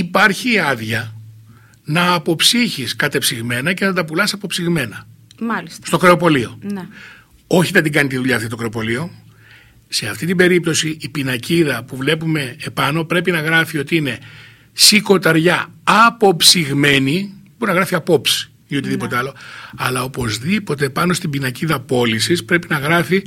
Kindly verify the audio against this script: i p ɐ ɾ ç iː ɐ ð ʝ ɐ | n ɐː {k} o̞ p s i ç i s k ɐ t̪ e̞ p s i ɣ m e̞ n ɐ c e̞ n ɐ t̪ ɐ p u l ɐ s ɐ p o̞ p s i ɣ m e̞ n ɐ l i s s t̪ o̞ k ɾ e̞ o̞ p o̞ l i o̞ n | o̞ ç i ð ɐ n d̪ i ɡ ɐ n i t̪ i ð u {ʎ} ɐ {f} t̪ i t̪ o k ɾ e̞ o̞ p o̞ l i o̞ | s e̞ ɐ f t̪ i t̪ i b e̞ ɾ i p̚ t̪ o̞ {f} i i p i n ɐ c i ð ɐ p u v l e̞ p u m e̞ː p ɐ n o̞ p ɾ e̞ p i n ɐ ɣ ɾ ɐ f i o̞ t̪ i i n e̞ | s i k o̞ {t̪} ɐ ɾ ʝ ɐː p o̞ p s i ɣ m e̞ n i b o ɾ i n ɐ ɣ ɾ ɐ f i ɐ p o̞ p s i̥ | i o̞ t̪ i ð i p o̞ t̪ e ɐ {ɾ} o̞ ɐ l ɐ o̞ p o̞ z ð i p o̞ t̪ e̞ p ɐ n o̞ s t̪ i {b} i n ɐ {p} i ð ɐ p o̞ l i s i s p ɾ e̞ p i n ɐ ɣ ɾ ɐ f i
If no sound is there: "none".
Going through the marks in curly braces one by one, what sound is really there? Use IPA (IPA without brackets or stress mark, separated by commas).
p, ʎ, f, s, t̪, l, b, c